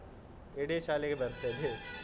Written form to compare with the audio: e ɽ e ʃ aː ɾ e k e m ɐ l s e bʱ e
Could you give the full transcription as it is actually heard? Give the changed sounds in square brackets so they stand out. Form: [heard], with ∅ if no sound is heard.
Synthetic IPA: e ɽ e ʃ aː [l] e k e [b] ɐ [ɾ] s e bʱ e